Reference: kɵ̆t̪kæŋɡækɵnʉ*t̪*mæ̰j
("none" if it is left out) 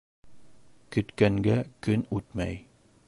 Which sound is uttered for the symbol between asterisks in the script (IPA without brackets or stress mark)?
t̪